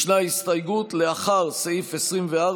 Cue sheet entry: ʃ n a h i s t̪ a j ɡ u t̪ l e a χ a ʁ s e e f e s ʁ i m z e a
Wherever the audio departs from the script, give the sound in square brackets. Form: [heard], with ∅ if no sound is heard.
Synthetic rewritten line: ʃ n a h i s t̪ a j ɡ u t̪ l e a χ a ʁ s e [i] f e s ʁ i m [v] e a